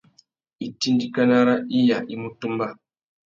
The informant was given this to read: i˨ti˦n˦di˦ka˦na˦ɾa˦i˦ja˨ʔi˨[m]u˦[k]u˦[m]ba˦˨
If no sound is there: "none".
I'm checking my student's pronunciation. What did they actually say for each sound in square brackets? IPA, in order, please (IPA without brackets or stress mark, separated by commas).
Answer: m, t, m